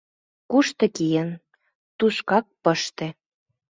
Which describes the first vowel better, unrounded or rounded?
rounded